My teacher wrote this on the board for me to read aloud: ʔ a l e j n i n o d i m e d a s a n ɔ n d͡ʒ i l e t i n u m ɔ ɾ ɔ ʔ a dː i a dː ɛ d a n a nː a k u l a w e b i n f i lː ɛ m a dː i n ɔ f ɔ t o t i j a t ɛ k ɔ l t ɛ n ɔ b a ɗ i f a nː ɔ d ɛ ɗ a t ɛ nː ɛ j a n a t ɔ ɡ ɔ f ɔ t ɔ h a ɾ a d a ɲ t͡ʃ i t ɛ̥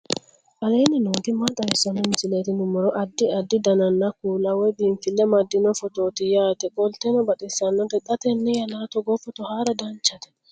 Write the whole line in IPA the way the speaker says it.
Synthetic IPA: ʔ a l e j n i n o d i m a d a s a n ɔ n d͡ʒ i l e t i n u m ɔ ɾ ɔ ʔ a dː i a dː i d a n a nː a k u l a w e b i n f i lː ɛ m a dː i n ɔ f ɔ t o t i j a t ɛ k ɔ l t ɛ n ɔ b a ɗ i s a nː ɔ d ɛ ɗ a t ɛ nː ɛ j a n a t ɔ ɡ ɔ f ɔ t ɔ h a ɾ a d a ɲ t͡ʃ a t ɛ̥